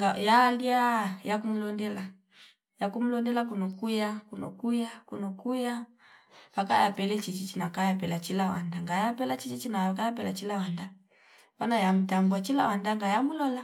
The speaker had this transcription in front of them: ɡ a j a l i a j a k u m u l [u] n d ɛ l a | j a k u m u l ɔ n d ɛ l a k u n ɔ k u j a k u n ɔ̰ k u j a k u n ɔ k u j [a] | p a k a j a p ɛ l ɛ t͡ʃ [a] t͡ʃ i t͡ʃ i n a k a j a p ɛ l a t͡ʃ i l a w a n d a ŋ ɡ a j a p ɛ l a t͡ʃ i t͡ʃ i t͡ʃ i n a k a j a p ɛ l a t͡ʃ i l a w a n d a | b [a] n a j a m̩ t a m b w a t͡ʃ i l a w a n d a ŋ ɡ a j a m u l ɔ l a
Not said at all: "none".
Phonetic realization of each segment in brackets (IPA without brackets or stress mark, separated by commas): ɔ, a, i, a